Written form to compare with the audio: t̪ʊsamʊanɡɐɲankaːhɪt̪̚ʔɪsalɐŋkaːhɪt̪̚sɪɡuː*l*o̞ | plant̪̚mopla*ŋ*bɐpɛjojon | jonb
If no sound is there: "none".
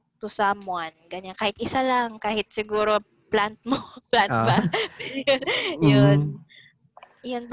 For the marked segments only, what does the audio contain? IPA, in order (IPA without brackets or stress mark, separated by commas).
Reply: ɾ, n